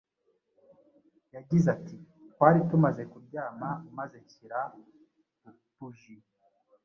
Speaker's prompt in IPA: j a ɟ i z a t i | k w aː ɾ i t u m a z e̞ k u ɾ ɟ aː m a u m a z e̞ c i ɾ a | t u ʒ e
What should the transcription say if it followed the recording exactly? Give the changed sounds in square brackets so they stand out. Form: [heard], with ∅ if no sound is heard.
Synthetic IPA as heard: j a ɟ i z a t i | [t] w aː ɾ i t u m a z e̞ k u ɾ ɟ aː m a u m a z e̞ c i ɾ a | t u ʒ [i]